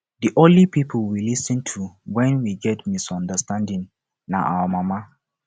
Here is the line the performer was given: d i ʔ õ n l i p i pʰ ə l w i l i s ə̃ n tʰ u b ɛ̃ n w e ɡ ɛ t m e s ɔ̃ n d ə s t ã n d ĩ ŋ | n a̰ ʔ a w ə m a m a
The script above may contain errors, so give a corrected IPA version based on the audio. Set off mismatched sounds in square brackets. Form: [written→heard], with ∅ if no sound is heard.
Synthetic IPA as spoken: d i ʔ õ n l i p i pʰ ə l w i l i s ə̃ n tʰ u [b→w] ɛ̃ n w [e→i] ɡ ɛ t m [e→i] s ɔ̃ n d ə s t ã n d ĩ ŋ | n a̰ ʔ a w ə m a m a